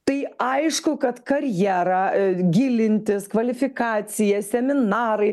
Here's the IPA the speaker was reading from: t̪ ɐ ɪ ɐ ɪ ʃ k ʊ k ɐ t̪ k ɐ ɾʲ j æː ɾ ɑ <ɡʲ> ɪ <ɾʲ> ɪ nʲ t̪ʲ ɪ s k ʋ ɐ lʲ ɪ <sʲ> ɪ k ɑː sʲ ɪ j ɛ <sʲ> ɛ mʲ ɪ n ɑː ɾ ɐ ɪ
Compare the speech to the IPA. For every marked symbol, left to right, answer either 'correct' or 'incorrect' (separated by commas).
correct, incorrect, incorrect, correct